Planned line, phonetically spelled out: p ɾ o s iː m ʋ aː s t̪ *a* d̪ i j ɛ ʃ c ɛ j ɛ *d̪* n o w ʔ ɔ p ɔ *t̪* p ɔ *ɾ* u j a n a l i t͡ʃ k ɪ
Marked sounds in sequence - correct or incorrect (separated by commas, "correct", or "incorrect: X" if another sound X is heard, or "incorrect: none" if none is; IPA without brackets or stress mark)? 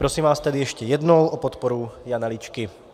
incorrect: ɛ, correct, correct, correct